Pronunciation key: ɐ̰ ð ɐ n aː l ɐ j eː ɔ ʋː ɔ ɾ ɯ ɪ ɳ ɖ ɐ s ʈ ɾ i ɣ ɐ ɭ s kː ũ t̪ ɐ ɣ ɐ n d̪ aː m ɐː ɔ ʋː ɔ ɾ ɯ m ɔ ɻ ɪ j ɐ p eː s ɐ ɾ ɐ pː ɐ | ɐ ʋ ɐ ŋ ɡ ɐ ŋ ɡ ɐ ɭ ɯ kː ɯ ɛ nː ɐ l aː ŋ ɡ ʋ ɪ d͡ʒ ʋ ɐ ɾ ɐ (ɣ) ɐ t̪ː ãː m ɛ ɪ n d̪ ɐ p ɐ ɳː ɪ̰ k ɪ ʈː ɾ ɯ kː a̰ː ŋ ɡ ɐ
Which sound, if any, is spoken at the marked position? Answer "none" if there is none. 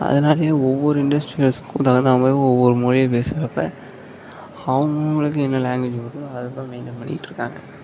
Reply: ð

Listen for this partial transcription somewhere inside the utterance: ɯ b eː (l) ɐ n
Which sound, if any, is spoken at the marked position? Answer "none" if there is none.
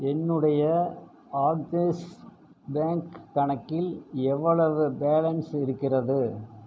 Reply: l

